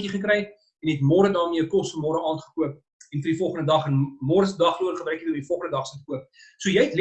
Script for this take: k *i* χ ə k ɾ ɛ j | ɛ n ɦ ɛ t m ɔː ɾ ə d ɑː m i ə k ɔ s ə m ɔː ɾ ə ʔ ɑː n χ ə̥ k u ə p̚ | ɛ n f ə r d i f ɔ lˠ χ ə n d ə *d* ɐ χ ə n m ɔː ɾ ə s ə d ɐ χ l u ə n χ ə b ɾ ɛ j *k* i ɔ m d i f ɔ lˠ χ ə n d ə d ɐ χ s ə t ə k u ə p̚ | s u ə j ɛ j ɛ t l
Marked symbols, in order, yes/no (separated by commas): yes, yes, yes